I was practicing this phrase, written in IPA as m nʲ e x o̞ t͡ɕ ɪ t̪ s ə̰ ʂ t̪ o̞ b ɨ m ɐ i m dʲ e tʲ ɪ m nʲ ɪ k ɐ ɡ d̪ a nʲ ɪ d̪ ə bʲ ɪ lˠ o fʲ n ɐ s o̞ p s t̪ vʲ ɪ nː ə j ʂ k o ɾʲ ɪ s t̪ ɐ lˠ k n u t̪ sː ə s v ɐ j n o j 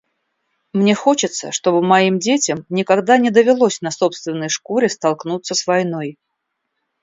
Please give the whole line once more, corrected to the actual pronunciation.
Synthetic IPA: m nʲ e x o̞ t͡ɕ ɪ t̪ s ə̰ ʂ t̪ o̞ b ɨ m ɐ i m dʲ e tʲ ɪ m nʲ ɪ k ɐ ɡ d̪ a nʲ ɪ d̪ ə vʲ ɪ lˠ o sʲ n ɐ s o̞ p s t̪ vʲ ɪ nː ə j ʂ k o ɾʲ ɪ s t̪ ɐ lˠ k n u t̪ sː ə s v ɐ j n o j